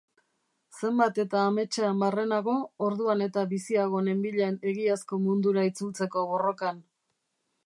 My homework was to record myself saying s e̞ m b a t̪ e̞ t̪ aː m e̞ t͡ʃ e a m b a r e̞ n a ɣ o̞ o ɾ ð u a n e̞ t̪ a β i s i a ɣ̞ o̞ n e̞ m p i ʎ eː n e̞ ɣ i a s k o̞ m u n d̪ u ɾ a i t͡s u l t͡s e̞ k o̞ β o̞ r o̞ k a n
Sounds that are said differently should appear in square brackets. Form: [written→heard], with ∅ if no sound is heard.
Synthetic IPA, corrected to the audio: s e̞ m b a t̪ e̞ t̪ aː m e̞ t͡ʃ e a m b a r e̞ n a ɣ o̞ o ɾ ð u a n e̞ t̪ a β i s i a ɣ̞ o̞ n e̞ m [p→b] i ʎ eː n e̞ ɣ i a s k o̞ m u n d̪ u ɾ a i t͡s u l t͡s e̞ k o̞ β o̞ r o̞ k a n

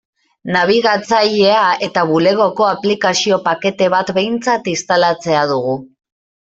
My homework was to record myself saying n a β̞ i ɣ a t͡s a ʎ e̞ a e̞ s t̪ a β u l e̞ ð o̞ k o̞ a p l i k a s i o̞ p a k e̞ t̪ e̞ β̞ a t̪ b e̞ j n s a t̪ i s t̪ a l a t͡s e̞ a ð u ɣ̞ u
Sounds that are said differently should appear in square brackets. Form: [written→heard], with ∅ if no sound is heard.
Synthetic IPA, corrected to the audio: n a β̞ i ɣ a t͡s a ʎ e̞ a e̞ [s→∅] t̪ a β u l e̞ [ð→ɣ] o̞ k o̞ a p l i k a s i o̞ p a k e̞ t̪ e̞ β̞ a t̪ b e̞ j n [s→t͡s] a t̪ i s t̪ a l a t͡s e̞ a ð u ɣ̞ u

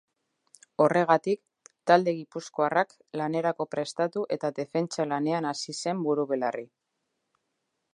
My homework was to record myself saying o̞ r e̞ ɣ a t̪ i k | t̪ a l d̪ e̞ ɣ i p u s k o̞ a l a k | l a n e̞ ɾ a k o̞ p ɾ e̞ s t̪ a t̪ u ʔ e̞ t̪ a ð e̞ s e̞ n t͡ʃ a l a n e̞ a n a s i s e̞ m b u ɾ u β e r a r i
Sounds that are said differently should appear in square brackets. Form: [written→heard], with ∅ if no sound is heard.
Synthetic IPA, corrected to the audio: o̞ r e̞ ɣ a t̪ i k | t̪ a l d̪ e̞ ɣ i p u s k o̞ a [l→r] a k | l a n e̞ ɾ a k o̞ p ɾ e̞ s t̪ a t̪ u ʔ e̞ t̪ a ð e̞ [s→f] e̞ n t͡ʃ a l a n e̞ a n a s i s e̞ m b u ɾ u β e [r→l] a r i

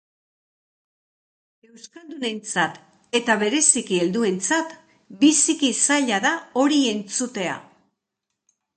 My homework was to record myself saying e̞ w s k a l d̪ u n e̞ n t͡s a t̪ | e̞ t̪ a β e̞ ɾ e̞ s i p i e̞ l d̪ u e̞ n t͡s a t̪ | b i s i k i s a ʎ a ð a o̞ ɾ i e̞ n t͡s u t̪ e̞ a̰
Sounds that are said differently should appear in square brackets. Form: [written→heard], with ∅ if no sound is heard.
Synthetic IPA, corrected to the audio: e̞ w s k a l d̪ u n e̞ n t͡s a t̪ | e̞ t̪ a β e̞ ɾ e̞ s i [p→k] i e̞ l d̪ u e̞ n t͡s a t̪ | b i s i k i s a ʎ a ð a o̞ ɾ i e̞ n t͡s u t̪ e̞ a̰

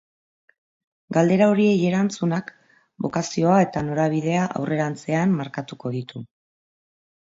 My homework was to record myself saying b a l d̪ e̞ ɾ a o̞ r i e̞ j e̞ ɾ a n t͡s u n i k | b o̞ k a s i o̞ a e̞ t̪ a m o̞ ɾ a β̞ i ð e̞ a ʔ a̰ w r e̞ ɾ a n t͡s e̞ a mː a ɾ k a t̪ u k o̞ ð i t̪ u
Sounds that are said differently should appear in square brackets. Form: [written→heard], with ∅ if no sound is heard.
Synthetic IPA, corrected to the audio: [b→ɡ] a l d̪ e̞ ɾ a o̞ [r→ɾ] i e̞ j e̞ ɾ a n t͡s u n [i→a] k | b o̞ k a s i o̞ a e̞ t̪ a [m→n] o̞ ɾ a β̞ i ð e̞ a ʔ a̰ w r e̞ ɾ a n t͡s e̞ a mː a ɾ k a t̪ u k o̞ ð i t̪ u

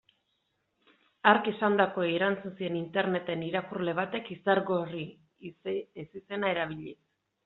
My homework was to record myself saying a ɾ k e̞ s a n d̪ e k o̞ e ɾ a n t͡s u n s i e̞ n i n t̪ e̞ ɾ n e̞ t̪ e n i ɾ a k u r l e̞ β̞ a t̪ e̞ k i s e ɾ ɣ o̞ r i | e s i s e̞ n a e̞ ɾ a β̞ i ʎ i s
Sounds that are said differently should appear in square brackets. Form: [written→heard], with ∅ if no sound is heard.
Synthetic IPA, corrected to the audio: a ɾ k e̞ s a n d̪ [e→a] k o̞ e ɾ a n t͡s u n s i e̞ n i n t̪ e̞ ɾ n e̞ t̪ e n i ɾ a k u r l e̞ β̞ a t̪ e̞ k i s [e→a] ɾ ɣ o̞ r i | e s i s e̞ n a e̞ ɾ a β̞ i ʎ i s

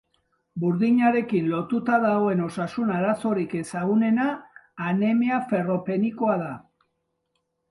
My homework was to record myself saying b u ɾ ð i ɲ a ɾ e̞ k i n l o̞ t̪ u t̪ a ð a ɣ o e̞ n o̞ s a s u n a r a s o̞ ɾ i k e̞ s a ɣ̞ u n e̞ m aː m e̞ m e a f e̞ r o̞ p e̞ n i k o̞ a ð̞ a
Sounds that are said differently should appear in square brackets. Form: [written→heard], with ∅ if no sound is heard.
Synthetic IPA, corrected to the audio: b u ɾ ð i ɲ a ɾ e̞ k i n l o̞ t̪ u t̪ a ð a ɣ o e̞ n o̞ s a s u n a [r→ɾ] a s o̞ ɾ i k e̞ s a ɣ̞ u n e̞ [m→n] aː [m→n] e̞ m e a f e̞ r o̞ p e̞ n i k o̞ a ð̞ a

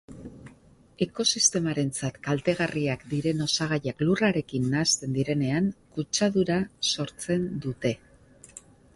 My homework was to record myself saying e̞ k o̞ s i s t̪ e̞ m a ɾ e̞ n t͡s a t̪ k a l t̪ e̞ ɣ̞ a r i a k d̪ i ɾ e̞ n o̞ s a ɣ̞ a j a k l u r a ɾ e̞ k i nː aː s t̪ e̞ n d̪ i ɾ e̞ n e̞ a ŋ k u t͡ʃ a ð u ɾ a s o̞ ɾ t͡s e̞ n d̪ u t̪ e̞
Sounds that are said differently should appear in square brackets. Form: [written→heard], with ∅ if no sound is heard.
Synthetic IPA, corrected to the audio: e̞ k o̞ s i s t̪ e̞ m a ɾ e̞ n t͡s a t̪ k a l t̪ e̞ ɣ̞ a r i a k d̪ i ɾ e̞ n o̞ s a ɣ̞ a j a k l u r a ɾ e̞ k i nː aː s t̪ e̞ n d̪ i ɾ e̞ n e̞ a ŋ k u t͡ʃ a ð u ɾ a s o̞ ɾ t͡s e̞ n d̪ u t̪ e̞

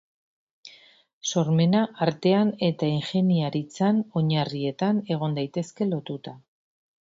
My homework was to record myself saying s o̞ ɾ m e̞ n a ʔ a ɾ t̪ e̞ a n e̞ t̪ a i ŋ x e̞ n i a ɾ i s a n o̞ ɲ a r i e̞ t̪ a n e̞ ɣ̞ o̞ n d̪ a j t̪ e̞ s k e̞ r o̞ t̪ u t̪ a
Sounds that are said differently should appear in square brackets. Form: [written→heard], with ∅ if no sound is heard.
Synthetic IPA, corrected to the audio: s o̞ ɾ m e̞ n a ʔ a ɾ t̪ e̞ a n e̞ t̪ a i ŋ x e̞ n i a ɾ i [s→t͡s] a n o̞ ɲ a r i e̞ t̪ a n e̞ ɣ̞ o̞ n d̪ a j t̪ e̞ s k e̞ [r→l] o̞ t̪ u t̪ a

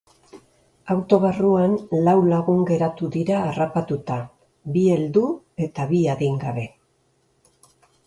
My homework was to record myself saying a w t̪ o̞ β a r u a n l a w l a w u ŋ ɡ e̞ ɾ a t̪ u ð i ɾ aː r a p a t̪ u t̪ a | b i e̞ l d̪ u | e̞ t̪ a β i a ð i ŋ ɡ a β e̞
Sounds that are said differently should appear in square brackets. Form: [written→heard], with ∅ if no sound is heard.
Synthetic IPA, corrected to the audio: a w t̪ o̞ β a r u a n l a w l a [w→ɣ] u ŋ ɡ e̞ ɾ a t̪ u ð i ɾ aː r a p a t̪ u t̪ a | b i e̞ l d̪ u | e̞ t̪ a β i a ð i ŋ ɡ a β e̞

